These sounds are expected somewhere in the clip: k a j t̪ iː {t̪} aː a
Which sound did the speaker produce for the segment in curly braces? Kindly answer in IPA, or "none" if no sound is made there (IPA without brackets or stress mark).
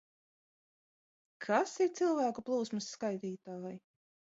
t̪